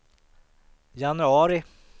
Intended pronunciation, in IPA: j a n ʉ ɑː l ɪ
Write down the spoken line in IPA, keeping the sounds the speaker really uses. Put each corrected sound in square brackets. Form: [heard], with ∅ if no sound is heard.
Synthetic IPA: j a n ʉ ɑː [ɾ] ɪ